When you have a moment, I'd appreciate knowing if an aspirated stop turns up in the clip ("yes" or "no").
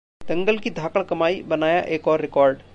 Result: no